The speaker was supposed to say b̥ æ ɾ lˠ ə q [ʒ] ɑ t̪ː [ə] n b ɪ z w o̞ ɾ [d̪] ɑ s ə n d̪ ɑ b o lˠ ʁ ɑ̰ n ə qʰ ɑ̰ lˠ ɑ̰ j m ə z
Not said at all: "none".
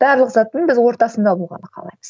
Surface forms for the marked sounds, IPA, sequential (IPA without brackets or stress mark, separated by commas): z, ə, t̪